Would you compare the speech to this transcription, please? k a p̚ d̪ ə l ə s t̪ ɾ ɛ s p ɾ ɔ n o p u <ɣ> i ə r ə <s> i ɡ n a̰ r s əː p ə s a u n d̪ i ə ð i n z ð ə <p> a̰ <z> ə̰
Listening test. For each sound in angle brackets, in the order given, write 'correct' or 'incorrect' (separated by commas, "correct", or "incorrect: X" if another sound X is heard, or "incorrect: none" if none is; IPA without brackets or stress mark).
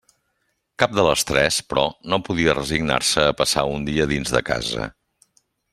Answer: incorrect: ð, incorrect: z, incorrect: k, correct